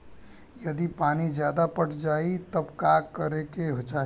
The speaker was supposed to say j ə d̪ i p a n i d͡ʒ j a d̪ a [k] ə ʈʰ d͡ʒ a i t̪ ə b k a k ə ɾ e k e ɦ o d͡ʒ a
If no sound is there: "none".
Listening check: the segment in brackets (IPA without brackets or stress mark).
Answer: p